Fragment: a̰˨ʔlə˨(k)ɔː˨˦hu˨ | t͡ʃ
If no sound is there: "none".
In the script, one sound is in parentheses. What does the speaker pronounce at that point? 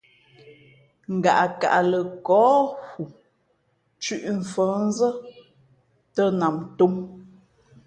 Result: k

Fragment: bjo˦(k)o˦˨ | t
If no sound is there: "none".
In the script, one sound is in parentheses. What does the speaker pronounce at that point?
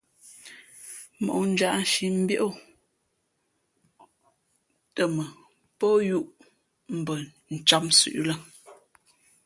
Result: ʔ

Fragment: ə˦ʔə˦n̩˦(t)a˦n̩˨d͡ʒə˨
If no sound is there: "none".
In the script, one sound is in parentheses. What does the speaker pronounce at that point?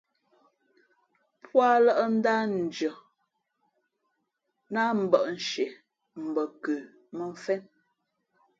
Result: d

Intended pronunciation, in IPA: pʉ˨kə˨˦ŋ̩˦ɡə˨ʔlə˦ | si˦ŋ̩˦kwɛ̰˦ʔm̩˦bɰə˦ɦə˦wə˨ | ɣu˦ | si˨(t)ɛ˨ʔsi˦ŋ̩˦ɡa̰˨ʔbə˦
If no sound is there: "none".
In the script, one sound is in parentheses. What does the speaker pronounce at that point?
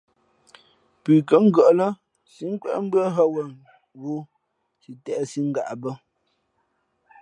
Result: t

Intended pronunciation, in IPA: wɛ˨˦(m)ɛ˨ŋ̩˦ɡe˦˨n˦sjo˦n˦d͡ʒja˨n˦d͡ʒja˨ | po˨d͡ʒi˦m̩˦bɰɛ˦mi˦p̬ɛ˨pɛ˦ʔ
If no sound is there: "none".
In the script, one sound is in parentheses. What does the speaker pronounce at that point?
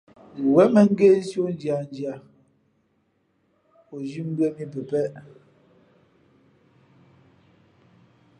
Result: m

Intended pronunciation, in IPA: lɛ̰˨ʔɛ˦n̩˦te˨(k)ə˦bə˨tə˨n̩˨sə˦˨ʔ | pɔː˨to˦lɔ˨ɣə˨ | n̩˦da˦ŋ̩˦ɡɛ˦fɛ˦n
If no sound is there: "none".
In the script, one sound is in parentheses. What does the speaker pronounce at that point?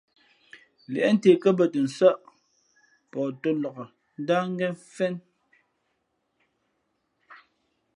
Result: k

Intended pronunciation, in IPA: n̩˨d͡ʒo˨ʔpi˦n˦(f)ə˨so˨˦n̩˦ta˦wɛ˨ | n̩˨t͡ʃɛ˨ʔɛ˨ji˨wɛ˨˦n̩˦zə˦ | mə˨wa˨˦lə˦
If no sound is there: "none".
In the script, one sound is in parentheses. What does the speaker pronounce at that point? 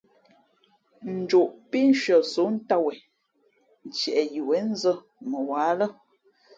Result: ʃ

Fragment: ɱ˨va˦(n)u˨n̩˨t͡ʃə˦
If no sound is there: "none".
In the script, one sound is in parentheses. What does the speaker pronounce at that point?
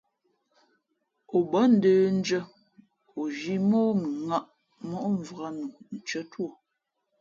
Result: n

